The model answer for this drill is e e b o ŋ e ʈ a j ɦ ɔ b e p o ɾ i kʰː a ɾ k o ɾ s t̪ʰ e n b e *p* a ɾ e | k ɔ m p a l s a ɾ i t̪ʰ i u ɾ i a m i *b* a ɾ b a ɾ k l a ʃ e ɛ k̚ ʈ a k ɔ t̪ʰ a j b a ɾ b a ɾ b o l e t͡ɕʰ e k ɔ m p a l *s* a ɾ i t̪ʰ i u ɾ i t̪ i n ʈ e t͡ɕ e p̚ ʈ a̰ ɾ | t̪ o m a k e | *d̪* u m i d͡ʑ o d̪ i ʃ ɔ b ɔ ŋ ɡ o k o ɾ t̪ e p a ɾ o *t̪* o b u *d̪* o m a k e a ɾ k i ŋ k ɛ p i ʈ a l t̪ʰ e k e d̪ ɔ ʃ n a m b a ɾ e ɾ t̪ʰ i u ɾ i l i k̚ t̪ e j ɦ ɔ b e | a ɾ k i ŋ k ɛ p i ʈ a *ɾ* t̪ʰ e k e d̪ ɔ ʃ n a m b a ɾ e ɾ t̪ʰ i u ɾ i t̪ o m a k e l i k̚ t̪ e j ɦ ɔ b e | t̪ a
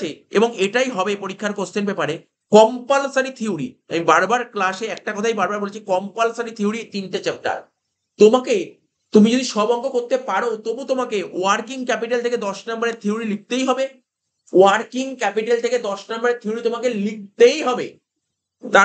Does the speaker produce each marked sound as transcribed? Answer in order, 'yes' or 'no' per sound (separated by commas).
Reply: yes, yes, yes, no, yes, no, no